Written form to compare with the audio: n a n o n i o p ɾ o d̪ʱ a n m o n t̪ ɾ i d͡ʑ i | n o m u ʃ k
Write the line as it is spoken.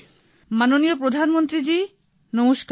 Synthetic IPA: m a n o n i o p ɾ o d̪ʱ a n m o n t̪ ɾ i d͡ʑ i | n o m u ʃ k